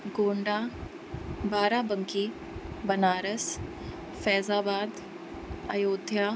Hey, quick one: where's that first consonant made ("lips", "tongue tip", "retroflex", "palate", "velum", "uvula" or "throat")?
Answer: velum